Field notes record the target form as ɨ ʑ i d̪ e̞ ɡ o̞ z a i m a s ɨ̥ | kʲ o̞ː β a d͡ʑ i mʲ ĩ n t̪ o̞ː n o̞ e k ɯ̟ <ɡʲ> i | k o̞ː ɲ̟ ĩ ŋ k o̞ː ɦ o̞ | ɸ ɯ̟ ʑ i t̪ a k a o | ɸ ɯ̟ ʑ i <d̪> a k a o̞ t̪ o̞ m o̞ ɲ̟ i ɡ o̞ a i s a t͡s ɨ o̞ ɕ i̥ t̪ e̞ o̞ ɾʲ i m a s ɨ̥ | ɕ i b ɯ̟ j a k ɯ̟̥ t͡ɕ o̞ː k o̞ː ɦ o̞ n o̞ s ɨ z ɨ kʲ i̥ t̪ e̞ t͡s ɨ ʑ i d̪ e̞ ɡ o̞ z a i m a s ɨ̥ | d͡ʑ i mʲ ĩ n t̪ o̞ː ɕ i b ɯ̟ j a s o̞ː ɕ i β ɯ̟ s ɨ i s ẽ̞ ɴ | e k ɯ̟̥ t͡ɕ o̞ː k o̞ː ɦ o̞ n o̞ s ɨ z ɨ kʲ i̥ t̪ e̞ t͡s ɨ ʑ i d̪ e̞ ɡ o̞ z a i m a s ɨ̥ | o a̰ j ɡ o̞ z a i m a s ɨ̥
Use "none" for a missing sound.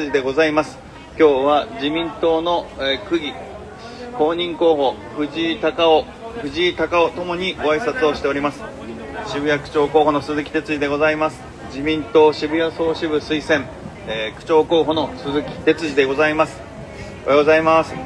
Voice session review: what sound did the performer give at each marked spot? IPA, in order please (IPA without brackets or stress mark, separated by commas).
ɡʲ, t̪